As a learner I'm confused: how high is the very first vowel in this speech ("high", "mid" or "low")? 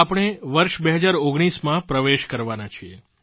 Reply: low